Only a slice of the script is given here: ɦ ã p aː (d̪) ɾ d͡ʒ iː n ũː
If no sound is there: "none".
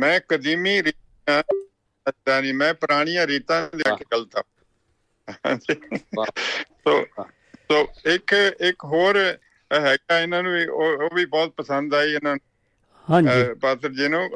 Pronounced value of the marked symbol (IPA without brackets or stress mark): t̪